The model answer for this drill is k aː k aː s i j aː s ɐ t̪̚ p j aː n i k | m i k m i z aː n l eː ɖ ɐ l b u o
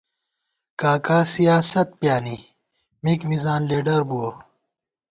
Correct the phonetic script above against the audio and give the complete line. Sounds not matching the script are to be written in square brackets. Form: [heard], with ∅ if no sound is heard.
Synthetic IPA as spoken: k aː k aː s i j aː s ɐ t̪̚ p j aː n i [∅] | m i k m i z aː n l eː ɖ ɐ [ɾ] b u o